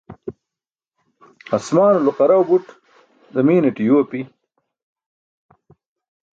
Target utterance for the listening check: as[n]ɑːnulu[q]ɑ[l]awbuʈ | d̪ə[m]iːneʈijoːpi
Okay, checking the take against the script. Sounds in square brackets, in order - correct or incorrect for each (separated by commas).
incorrect, correct, incorrect, correct